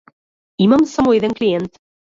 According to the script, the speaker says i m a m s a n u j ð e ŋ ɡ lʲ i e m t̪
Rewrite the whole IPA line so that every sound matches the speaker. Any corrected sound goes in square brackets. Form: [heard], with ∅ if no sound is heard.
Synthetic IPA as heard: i m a m s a [m] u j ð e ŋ [k] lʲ i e [n] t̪